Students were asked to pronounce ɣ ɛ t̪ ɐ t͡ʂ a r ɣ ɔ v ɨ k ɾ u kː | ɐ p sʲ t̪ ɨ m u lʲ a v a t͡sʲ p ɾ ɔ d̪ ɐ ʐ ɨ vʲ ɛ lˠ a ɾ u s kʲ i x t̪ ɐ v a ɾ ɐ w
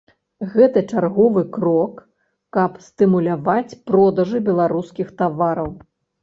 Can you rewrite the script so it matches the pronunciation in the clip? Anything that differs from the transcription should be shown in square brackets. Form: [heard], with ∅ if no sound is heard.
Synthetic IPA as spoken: ɣ ɛ t̪ ɐ t͡ʂ a r ɣ ɔ v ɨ k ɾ [ɔ] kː | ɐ p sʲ t̪ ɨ m u lʲ a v a t͡sʲ p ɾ ɔ d̪ ɐ ʐ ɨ [bʲ] ɛ lˠ a ɾ u s kʲ i x t̪ [a] v a ɾ ɐ w